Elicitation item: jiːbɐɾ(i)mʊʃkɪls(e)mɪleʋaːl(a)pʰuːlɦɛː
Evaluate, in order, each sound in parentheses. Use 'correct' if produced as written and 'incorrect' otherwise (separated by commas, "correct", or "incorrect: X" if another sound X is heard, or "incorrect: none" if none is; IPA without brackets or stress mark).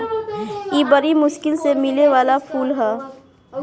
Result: correct, correct, correct